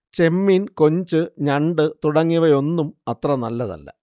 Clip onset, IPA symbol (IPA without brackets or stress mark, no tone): t͡ɕ